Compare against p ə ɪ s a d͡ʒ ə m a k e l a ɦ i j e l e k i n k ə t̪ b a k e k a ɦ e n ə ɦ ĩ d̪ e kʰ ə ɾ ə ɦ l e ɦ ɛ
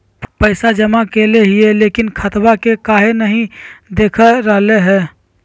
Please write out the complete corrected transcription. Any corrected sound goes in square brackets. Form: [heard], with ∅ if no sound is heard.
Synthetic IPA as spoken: p ə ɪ s a d͡ʒ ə m a k e l [e] ɦ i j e l e k i n [kʰ] ə t̪ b a k e k a ɦ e n ə ɦ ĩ d̪ e kʰ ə ɾ ə ɦ l e ɦ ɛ